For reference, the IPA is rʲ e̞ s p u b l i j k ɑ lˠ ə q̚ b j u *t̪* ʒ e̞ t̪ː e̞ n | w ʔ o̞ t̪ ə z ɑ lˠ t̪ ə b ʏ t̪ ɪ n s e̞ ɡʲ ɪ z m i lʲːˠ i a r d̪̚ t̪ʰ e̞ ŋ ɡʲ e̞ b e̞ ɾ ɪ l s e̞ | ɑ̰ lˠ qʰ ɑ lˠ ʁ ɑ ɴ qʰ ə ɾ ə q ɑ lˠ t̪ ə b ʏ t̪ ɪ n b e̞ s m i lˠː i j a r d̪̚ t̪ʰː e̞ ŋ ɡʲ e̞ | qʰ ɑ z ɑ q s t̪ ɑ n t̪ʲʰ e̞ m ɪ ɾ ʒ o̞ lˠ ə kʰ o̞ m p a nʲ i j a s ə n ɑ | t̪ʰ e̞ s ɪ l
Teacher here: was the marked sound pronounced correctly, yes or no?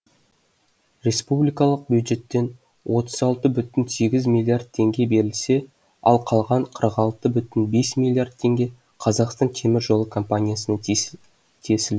no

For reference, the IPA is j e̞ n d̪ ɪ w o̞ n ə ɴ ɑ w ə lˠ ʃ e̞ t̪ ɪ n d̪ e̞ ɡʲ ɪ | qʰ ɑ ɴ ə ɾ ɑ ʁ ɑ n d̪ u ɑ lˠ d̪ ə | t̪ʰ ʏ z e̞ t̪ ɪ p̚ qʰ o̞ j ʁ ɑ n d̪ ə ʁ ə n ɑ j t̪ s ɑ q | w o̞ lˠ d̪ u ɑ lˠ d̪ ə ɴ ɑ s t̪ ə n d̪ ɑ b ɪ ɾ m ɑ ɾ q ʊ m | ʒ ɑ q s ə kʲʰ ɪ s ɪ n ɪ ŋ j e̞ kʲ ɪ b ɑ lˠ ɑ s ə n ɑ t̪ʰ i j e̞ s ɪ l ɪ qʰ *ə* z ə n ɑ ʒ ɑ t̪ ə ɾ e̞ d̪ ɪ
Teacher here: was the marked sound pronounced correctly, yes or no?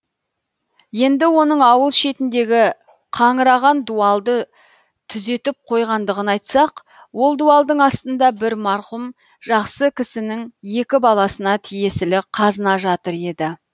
no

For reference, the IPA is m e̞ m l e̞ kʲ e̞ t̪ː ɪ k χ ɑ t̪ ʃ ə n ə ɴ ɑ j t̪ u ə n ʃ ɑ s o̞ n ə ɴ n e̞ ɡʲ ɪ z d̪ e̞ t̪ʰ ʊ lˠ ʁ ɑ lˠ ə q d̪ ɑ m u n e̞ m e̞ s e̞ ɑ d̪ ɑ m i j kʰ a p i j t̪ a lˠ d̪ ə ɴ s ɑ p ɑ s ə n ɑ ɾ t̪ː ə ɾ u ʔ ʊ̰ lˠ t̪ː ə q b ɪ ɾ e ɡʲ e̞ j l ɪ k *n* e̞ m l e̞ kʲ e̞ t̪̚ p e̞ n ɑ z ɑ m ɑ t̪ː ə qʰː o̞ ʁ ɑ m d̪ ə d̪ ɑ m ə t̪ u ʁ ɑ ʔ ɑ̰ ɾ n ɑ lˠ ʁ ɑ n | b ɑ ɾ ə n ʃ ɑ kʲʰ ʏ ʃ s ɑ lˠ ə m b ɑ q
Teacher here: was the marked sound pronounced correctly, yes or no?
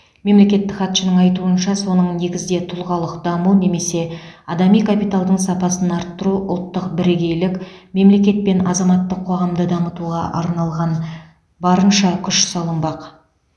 no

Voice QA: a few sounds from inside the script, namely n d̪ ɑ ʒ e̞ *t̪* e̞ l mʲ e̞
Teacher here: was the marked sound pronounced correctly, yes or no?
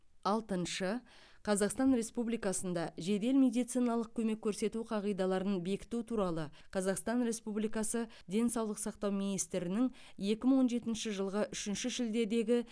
no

